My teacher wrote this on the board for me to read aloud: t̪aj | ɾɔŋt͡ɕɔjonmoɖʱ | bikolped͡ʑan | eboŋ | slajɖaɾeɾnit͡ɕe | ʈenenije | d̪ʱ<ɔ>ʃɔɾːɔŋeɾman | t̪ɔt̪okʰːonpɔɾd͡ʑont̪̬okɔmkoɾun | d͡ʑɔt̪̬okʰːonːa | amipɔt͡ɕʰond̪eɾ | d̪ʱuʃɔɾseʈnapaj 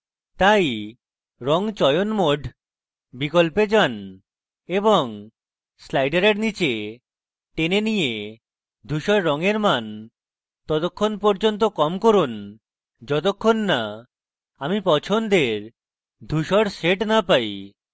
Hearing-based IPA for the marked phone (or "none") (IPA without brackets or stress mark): u